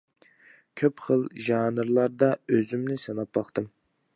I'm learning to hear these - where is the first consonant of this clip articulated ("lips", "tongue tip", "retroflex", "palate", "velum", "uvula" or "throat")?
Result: velum